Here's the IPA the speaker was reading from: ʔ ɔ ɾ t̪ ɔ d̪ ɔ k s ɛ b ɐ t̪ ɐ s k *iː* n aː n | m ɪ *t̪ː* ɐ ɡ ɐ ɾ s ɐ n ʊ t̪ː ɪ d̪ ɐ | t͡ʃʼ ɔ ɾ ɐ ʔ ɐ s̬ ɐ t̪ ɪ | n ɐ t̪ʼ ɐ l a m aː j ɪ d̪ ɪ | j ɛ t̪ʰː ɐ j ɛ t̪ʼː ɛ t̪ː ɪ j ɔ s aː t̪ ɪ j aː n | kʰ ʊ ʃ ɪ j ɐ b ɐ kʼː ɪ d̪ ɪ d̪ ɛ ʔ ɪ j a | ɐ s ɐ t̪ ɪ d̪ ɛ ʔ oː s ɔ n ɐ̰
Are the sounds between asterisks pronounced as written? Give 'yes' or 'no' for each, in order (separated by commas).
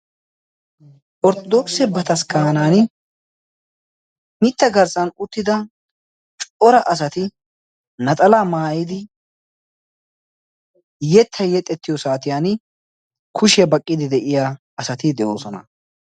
no, yes